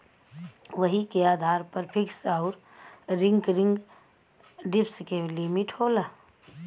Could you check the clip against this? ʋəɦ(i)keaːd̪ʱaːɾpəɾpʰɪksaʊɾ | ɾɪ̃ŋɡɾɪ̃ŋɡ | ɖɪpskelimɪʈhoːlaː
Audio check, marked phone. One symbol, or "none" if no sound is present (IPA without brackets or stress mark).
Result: i